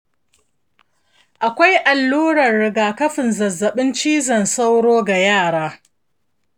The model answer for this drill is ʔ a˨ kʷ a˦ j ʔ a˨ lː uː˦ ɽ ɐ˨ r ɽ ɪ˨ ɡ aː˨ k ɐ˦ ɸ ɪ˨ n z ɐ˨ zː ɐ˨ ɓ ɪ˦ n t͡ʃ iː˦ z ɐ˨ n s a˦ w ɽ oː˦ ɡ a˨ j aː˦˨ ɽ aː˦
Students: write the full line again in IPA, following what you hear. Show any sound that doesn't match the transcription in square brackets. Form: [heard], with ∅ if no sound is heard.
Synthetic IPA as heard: ʔ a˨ kʷ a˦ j ʔ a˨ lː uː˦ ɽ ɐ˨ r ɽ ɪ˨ ɡ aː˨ k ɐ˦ ɸ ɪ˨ n z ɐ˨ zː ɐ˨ ɓ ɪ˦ n t͡ʃ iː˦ z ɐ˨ n s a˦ w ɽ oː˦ ɡ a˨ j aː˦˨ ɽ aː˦